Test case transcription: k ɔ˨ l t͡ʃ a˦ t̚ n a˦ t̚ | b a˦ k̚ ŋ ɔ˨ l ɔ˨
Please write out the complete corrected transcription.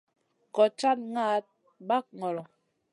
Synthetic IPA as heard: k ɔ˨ t͡ʃ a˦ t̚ ŋ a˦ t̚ | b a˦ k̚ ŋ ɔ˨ l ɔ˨